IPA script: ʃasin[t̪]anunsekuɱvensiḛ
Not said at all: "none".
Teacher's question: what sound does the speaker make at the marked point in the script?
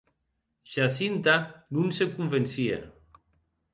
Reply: t̪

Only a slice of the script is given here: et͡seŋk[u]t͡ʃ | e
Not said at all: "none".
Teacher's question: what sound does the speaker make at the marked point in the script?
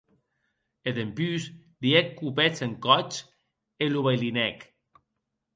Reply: ɔ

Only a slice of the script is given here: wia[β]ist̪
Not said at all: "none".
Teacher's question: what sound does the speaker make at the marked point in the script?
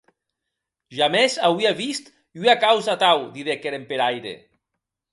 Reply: β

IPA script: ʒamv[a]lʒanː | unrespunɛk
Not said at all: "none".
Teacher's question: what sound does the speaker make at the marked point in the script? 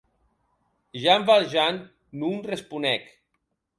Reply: a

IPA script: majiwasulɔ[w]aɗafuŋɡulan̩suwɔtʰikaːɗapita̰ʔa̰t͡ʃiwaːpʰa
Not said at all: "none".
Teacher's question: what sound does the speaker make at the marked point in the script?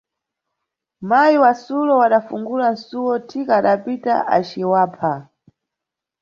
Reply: w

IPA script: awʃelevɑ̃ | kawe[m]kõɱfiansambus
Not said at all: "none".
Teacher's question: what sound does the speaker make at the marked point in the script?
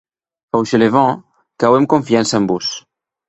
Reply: m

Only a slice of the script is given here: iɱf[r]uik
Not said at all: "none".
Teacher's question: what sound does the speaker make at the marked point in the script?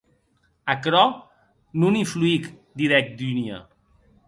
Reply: l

